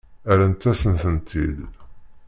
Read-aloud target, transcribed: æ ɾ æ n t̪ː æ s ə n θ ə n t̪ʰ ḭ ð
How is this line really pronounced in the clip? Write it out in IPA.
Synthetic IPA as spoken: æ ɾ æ n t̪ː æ s ə n θ ə n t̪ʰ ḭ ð